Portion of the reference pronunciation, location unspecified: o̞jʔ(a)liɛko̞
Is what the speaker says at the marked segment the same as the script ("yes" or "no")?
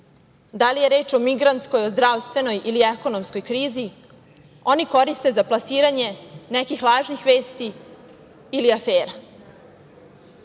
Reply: no